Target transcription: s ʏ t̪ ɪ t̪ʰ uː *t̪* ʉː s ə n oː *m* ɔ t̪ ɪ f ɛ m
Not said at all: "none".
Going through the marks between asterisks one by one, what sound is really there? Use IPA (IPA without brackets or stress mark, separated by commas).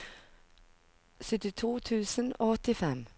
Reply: t̪ʰ, none